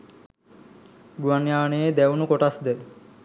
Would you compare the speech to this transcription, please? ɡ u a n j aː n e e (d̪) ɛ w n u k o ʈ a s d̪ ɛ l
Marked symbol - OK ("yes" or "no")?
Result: yes